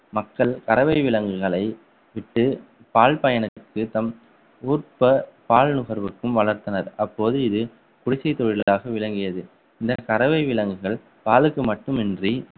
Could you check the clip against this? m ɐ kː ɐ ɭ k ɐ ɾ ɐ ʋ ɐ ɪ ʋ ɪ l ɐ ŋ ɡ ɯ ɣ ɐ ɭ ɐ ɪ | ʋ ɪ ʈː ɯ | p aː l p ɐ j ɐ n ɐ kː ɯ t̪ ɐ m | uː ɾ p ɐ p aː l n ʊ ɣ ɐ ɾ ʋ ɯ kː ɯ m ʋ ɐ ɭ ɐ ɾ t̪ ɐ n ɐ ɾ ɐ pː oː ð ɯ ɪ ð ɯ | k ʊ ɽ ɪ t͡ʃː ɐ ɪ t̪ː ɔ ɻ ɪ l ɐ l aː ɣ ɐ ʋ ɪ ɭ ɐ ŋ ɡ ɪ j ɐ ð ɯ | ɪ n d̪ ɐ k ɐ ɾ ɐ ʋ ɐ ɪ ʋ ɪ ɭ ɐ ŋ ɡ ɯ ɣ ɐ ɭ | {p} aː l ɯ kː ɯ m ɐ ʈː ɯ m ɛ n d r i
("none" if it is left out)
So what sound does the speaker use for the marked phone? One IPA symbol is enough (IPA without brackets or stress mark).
p